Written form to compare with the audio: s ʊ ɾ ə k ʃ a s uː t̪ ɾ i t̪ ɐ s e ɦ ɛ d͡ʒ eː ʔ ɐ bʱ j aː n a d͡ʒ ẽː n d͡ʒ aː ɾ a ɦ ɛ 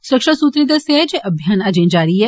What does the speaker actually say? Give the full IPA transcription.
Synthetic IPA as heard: s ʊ ɾ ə k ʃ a s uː t̪ ɾ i d̪ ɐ s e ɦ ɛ d͡ʒ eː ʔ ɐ bʱ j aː n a d͡ʒ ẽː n d͡ʒ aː ɾ i ɦ ɛ